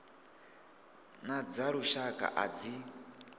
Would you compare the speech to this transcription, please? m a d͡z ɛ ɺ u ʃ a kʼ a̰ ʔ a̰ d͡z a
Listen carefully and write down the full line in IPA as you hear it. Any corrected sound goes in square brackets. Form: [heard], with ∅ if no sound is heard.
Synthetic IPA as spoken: [n] a d͡z [a] ɺ u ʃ a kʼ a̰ ʔ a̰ d͡z [i]